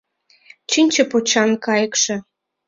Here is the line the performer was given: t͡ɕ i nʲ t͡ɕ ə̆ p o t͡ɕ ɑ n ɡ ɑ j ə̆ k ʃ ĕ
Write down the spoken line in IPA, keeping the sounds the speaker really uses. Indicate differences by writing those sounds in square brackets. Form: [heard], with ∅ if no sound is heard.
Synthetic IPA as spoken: t͡ɕ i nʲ t͡ɕ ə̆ p o t͡ɕ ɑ n [k] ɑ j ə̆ k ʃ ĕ